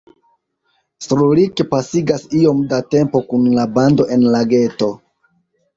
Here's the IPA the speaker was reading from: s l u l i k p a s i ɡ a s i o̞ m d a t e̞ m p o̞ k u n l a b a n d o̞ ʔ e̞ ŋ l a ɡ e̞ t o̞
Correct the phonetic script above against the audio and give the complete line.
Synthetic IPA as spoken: s ɾ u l i k p a s i ɡ a s i o̞ m d a t e̞ m p o̞ k u n l a b a n d o̞ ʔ e̞ n l a ɡ e̞ t o̞